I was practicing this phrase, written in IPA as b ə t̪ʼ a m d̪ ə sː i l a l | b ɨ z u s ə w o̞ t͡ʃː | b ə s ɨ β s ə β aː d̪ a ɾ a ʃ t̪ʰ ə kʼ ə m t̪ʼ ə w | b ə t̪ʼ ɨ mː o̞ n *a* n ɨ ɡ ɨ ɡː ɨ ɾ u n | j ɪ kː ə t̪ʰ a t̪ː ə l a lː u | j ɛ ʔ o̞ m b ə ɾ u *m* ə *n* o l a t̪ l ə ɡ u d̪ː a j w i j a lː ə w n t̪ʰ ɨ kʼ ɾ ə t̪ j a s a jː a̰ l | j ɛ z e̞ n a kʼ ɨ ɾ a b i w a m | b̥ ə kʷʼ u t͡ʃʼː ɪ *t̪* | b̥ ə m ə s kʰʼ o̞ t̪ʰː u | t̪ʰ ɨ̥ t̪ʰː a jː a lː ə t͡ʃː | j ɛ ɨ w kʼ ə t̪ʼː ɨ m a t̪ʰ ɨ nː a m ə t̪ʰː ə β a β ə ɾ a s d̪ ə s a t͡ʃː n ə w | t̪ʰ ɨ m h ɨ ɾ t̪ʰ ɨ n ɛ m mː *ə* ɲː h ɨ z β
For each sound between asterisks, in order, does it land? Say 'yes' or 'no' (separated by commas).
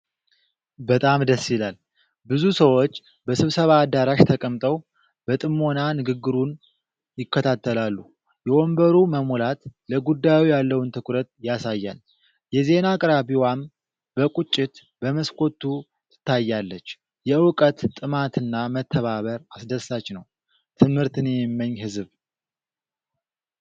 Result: yes, yes, no, yes, yes